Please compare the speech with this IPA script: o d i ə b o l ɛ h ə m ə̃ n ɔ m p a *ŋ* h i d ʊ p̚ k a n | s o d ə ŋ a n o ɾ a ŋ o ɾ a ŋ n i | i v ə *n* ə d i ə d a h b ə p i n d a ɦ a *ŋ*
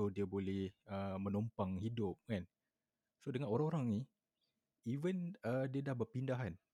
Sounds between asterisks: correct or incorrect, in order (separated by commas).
correct, correct, incorrect